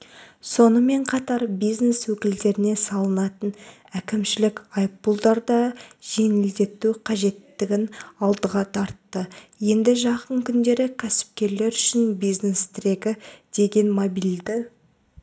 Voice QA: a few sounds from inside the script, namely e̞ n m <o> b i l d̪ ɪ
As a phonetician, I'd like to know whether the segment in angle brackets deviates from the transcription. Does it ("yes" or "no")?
no